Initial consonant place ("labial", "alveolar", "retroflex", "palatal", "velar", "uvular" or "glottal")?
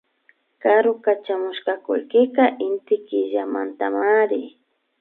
velar